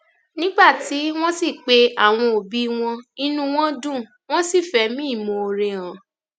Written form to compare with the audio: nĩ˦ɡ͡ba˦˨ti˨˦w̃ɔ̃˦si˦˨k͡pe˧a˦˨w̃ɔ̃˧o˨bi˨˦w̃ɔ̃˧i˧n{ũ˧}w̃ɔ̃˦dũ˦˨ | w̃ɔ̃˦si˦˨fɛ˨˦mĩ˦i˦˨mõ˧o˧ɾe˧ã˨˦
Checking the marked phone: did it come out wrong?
no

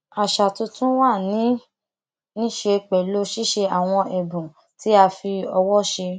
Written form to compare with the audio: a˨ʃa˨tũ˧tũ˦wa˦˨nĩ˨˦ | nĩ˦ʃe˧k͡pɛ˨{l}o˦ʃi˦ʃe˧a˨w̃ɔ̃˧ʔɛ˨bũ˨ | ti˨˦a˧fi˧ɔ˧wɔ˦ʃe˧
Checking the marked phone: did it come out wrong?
no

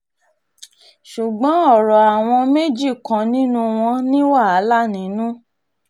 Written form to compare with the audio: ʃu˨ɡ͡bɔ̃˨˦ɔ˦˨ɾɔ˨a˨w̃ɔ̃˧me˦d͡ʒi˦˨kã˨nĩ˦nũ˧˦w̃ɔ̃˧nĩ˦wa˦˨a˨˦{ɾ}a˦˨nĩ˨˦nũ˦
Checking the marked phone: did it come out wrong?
yes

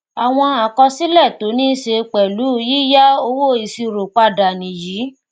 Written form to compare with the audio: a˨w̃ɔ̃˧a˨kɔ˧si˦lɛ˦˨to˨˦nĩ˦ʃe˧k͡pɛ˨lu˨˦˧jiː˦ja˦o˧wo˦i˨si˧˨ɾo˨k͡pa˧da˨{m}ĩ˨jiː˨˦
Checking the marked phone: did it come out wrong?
yes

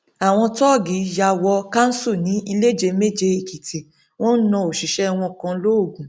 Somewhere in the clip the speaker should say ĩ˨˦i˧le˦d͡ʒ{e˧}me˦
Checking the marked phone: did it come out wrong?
no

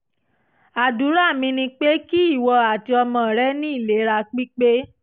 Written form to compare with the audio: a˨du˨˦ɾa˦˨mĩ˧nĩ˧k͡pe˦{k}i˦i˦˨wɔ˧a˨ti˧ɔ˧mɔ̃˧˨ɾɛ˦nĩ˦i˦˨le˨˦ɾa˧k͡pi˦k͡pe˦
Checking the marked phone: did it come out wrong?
no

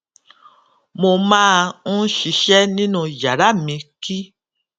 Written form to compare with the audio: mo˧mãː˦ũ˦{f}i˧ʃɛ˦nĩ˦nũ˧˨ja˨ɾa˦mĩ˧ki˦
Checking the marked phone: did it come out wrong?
yes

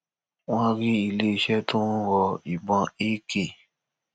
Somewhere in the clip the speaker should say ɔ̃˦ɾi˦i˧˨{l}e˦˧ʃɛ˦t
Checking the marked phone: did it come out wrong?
no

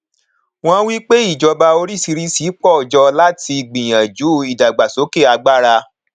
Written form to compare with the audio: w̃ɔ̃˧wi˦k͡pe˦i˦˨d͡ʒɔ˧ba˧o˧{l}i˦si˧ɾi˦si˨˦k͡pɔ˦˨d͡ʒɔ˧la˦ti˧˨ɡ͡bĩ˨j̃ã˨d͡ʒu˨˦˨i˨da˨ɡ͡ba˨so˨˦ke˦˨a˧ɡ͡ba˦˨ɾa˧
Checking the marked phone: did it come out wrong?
yes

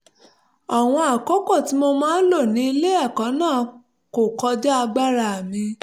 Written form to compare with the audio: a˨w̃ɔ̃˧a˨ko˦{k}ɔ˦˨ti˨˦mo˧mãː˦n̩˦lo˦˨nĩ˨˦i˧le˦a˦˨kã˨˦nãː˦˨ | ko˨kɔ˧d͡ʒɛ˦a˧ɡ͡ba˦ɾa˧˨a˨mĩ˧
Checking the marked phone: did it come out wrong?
no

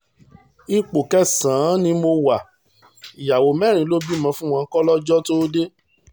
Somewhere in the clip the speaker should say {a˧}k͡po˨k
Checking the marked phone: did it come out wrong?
yes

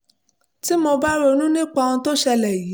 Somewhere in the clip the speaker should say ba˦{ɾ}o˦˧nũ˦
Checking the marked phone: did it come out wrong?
no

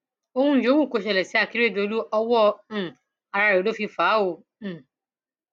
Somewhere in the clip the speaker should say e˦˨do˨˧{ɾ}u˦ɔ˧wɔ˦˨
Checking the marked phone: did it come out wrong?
yes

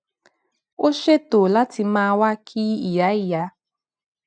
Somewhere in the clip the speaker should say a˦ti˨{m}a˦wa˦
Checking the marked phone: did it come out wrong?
no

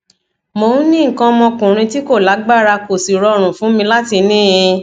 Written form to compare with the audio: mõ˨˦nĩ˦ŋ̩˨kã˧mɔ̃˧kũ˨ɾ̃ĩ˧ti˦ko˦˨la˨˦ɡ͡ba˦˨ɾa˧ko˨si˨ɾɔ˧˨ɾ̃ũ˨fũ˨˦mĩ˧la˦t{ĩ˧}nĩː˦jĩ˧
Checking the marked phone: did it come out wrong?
yes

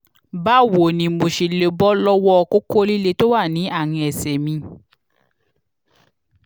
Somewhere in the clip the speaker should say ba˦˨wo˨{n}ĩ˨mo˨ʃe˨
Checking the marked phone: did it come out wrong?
no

